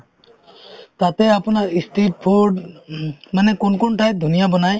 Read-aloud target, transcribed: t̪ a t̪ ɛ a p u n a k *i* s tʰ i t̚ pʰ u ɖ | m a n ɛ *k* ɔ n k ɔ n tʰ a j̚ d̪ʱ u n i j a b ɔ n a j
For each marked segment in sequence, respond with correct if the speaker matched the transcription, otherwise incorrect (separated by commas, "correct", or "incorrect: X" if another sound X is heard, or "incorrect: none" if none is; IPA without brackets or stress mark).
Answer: correct, correct